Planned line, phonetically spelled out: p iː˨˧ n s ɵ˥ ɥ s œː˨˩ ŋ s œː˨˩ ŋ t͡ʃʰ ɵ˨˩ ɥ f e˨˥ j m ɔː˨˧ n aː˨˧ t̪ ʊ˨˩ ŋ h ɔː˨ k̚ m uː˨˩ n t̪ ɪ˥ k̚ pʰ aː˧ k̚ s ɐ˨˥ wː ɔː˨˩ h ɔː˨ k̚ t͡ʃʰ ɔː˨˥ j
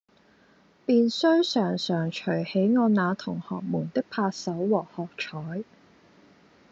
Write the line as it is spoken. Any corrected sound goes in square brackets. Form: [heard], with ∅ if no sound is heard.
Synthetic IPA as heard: p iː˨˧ n s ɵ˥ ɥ s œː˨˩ ŋ s œː˨˩ ŋ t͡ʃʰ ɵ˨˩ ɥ [h] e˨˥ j [ŋ] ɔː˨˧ n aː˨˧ [t̪ʰ] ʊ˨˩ ŋ h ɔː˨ k̚ m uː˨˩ n t̪ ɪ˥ k̚ pʰ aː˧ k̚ s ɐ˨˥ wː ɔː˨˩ h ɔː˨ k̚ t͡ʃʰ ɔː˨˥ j